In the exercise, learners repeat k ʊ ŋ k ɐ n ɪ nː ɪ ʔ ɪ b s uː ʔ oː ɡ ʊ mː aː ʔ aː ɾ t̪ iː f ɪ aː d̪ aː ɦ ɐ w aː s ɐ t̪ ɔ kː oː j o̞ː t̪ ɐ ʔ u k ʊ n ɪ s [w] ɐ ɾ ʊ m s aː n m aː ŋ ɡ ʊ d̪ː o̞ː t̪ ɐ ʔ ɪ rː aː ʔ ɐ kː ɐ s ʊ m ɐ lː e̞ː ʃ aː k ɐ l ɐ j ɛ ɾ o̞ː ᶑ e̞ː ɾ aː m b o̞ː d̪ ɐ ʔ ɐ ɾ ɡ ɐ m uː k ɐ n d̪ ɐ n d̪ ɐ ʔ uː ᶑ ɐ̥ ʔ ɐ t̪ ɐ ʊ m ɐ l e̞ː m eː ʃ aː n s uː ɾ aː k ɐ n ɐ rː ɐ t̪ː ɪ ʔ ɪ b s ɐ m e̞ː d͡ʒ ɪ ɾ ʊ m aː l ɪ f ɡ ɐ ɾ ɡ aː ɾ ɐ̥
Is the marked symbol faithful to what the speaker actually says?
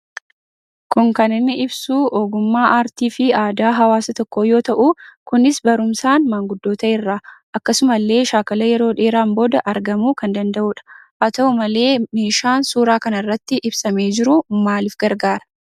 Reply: no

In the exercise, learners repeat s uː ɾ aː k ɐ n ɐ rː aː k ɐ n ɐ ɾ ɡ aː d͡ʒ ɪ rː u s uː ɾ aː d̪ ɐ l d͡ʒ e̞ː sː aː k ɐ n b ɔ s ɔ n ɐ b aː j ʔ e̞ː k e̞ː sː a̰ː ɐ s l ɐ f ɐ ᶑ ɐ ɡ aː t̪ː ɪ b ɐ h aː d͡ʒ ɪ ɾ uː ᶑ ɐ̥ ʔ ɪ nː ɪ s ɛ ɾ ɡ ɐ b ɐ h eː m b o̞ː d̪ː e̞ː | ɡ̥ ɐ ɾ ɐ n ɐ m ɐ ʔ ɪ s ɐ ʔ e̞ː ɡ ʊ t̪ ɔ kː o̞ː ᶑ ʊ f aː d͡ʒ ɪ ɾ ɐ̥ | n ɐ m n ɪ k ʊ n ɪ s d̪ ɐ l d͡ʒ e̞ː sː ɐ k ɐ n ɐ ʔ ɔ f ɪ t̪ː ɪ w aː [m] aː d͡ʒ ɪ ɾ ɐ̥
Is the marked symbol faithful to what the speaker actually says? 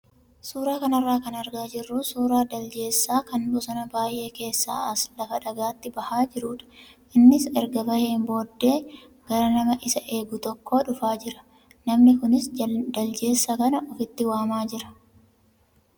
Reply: yes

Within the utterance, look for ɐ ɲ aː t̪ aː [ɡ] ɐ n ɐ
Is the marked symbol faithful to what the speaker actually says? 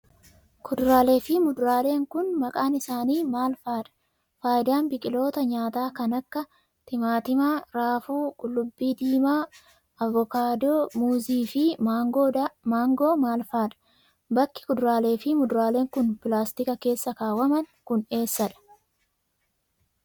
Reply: no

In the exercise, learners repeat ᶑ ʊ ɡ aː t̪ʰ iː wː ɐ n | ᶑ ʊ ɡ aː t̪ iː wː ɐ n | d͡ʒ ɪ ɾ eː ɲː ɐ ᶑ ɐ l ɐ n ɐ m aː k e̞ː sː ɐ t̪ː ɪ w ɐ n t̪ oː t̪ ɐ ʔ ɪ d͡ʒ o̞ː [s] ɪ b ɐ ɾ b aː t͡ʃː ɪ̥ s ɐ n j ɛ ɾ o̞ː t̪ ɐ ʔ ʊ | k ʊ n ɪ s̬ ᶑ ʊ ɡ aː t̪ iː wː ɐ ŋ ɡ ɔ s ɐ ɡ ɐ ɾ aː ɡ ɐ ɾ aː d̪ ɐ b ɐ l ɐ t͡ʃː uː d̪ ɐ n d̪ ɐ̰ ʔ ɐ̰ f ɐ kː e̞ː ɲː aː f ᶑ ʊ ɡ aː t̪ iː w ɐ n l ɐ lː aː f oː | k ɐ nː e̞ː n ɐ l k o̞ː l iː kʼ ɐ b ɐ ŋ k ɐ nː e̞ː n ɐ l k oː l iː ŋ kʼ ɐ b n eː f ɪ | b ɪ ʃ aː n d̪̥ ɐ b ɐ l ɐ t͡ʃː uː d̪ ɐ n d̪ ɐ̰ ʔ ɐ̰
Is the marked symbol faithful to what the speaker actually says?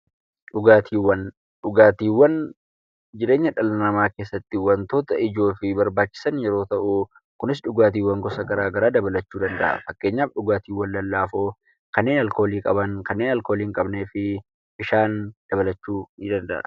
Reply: no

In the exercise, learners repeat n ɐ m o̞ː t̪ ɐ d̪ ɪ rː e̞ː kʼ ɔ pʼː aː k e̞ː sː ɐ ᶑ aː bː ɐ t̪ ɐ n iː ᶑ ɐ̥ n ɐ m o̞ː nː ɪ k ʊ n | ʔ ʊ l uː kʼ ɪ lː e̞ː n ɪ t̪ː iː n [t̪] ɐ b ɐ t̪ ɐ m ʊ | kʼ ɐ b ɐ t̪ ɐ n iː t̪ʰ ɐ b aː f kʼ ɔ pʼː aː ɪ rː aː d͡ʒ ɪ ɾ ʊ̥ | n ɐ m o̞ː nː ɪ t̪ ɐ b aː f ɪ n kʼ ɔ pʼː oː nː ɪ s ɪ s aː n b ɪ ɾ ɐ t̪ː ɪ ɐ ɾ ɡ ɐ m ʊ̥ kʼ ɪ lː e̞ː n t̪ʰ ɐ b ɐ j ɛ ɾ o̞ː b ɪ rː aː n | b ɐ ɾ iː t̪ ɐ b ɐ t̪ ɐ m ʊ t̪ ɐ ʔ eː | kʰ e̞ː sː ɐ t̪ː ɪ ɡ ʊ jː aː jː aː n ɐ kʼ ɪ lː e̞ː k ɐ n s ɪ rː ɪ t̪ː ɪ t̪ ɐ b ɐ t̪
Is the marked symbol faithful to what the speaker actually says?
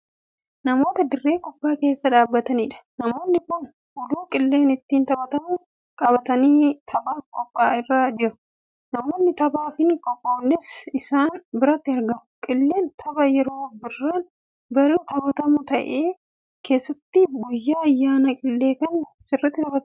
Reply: yes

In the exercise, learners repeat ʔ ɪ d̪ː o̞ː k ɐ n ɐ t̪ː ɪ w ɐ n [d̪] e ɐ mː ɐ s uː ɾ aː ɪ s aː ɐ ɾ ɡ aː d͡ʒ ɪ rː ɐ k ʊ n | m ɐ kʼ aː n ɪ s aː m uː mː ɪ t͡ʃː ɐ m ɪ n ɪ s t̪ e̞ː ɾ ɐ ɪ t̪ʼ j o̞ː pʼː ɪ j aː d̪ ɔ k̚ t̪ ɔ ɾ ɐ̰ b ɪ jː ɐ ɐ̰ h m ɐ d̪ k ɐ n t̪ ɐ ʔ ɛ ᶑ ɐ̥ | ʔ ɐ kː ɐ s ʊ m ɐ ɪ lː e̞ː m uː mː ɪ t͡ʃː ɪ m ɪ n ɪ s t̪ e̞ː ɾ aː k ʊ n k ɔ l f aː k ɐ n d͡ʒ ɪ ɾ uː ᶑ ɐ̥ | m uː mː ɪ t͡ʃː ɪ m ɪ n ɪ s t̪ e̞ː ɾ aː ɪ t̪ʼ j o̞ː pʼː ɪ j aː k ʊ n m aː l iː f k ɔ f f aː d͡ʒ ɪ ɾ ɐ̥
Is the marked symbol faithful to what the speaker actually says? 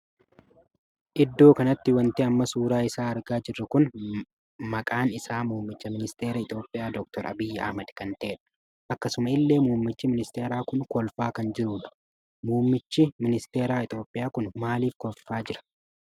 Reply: no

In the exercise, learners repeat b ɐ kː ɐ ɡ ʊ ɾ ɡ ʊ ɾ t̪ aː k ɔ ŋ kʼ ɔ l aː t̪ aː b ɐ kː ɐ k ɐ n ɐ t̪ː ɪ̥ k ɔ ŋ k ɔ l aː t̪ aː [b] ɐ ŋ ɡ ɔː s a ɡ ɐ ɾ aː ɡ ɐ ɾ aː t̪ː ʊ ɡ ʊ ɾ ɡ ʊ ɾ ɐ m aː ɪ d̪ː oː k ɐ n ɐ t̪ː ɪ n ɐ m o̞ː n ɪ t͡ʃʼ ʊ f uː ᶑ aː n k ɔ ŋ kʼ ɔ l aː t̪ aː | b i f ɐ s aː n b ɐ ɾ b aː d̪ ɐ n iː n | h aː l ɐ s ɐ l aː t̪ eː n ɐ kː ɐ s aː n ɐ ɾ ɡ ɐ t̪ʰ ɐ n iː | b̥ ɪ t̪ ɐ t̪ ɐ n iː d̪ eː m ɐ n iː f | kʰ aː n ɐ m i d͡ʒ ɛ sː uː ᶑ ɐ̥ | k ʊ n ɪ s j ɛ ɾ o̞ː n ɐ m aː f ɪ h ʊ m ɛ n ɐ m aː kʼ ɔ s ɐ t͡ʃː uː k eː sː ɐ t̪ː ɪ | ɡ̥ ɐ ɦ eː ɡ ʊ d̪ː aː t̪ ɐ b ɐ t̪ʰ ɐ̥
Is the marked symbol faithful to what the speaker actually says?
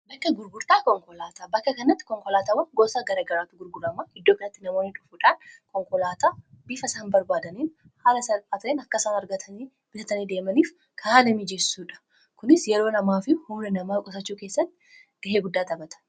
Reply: no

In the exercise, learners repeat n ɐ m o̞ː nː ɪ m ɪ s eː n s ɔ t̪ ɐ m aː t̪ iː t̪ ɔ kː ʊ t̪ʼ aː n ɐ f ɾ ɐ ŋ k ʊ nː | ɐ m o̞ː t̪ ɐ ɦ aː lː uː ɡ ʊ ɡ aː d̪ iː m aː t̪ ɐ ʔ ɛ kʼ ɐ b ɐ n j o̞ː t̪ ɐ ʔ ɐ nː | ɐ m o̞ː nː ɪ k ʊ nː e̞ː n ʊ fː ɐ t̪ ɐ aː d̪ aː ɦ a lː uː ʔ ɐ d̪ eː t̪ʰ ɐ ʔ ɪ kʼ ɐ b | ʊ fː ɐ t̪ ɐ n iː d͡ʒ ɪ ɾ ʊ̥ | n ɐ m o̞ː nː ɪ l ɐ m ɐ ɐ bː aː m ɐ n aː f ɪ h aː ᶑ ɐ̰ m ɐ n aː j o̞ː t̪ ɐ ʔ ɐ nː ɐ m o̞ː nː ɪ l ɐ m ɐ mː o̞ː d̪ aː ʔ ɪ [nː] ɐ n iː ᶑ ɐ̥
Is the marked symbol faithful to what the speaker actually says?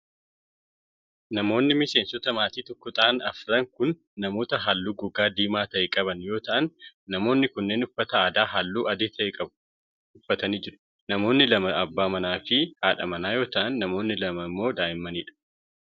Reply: no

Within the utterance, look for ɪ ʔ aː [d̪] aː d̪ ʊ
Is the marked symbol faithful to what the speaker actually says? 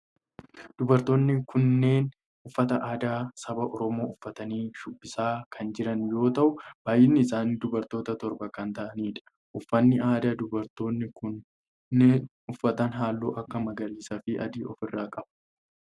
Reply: yes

